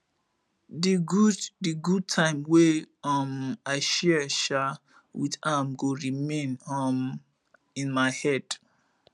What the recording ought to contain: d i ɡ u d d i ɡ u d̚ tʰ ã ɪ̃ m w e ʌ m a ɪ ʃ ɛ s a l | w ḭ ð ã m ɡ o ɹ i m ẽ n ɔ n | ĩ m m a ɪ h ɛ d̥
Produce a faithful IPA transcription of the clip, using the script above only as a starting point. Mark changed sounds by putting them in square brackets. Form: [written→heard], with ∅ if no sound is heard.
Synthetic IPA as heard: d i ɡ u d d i ɡ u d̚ tʰ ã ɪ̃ m w e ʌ m a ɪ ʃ ɛ [s→ʃ] a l | w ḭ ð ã m ɡ o ɹ i m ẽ n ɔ [n→m] | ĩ [m→n] m a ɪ h ɛ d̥